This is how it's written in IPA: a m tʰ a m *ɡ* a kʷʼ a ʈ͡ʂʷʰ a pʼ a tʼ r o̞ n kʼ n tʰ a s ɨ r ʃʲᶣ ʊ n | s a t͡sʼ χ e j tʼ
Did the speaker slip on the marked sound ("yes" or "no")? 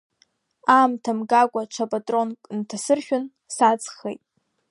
no